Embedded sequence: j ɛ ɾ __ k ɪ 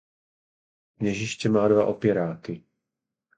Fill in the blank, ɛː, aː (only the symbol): aː